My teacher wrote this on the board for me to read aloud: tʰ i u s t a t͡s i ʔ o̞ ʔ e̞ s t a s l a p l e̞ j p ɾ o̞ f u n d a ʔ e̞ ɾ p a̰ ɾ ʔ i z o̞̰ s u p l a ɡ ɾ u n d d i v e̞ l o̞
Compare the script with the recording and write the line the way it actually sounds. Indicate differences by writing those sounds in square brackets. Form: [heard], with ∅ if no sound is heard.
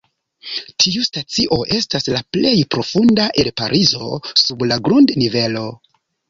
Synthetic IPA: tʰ i u s t a t͡s i ʔ o̞ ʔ e̞ s t a s l a p l e̞ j p ɾ o̞ f u n d a ʔ e̞ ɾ p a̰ ɾ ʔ i z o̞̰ s u [b] l a ɡ ɾ u n d [n] i v e̞ l o̞